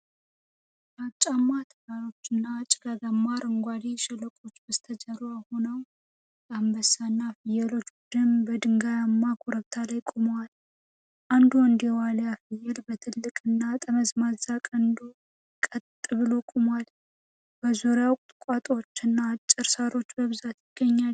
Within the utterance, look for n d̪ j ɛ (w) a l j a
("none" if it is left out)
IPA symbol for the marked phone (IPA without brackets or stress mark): w